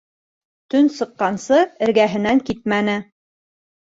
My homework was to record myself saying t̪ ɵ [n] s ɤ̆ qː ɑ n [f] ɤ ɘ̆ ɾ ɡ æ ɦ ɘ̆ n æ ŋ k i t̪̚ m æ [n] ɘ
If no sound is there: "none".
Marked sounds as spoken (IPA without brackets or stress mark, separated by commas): n, s, n